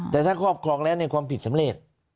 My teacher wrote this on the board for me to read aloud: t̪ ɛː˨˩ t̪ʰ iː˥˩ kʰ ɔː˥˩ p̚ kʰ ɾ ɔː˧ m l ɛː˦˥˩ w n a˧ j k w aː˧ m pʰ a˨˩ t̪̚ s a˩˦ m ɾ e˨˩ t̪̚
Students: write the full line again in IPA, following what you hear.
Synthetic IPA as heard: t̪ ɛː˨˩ t̪ʰ aː˥˩ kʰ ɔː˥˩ p̚ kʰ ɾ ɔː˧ ŋ l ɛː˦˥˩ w n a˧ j k w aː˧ m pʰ i˨˩ t̪̚ s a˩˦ m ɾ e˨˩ t̪̚